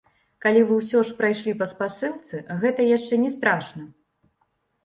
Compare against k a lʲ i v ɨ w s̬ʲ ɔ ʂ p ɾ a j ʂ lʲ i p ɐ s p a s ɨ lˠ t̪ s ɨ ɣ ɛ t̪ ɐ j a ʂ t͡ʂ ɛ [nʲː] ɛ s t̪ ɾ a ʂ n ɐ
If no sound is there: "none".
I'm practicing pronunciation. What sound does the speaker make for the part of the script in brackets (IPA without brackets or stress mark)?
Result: nʲ